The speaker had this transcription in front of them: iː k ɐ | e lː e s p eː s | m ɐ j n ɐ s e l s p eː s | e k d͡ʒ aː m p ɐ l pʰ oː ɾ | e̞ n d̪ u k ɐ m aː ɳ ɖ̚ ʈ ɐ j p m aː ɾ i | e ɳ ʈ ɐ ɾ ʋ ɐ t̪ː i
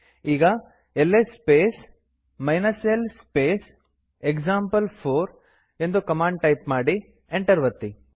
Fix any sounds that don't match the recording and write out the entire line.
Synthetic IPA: iː ɡ ɐ | e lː e s p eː s | m ɐ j n ɐ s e l s p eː s | e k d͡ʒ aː m p ɐ l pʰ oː ɾ | e̞ n d̪ u k ɐ m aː ɳ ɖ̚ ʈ ɐ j p m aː ɽ i | e ɳ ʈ ɐ ɾ ʋ ɐ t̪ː i